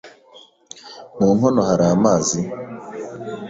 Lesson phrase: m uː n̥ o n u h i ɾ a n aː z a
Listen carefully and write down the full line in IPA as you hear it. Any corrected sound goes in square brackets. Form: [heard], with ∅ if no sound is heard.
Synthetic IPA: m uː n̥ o n [o] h [a] ɾ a [m] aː z [i]